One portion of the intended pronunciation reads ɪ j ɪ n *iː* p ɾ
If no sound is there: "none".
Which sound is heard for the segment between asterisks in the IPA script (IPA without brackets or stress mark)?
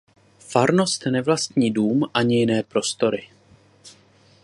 ɛː